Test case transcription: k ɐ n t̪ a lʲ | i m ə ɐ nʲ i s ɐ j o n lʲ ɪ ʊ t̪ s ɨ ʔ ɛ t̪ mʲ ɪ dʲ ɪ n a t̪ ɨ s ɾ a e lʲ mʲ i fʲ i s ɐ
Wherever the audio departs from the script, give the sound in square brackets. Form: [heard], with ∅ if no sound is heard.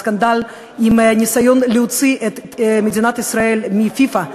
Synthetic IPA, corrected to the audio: k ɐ n [d̪] a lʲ | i m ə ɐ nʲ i s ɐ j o n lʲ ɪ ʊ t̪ s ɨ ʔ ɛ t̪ mʲ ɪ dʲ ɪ n a t̪ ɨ s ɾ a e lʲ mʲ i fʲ i [f] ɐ

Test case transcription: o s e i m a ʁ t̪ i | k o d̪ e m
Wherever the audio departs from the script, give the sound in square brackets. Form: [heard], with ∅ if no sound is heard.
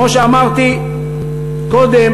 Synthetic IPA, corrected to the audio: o [ʃ] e [a] m a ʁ t̪ i | k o d̪ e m

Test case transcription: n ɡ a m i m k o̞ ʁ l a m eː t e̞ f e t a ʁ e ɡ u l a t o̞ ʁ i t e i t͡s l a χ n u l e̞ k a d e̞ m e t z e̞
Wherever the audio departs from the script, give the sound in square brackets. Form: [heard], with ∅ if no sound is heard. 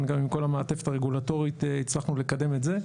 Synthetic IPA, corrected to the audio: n ɡ a m i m k o̞ [∅] l a m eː t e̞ f e t a ʁ e ɡ u l a t o̞ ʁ i t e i t͡s l a χ n u l e̞ k a d e̞ m e t z e̞

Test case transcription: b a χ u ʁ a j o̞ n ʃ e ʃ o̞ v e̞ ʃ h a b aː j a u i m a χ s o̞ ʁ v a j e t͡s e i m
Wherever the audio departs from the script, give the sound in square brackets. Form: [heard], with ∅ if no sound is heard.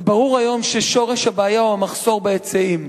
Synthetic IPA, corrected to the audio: b a [ʁ] u ʁ a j o̞ [m] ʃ e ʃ o̞ [ʁ] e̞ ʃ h a b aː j a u [a] m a χ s o̞ ʁ [b] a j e t͡s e i m

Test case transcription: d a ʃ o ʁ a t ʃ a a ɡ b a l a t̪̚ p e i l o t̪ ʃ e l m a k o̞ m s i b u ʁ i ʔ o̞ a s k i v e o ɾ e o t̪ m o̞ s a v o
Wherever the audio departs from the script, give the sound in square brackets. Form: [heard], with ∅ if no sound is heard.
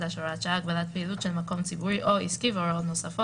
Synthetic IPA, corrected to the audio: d a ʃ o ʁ a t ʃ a a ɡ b a l a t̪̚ p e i l [u] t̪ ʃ e l m a k o̞ m [t͡s] i b u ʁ i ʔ o̞ [i] s k i v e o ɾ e o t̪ [n] o̞ s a [f] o

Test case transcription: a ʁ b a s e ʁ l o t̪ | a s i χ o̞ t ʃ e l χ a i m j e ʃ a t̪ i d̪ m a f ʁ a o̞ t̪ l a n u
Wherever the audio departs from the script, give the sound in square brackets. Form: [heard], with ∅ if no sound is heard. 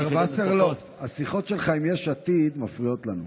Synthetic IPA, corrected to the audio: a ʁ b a s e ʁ l o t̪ | a s i χ o̞ t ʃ e l χ a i m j e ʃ a t̪ i d̪ m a f ʁ [i] o̞ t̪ l a n u

